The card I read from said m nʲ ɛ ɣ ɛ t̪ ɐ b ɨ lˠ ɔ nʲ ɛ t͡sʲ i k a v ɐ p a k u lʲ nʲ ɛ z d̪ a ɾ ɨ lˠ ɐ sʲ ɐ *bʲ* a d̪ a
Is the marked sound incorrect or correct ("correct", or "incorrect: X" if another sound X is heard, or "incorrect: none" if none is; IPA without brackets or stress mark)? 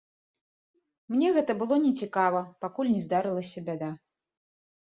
correct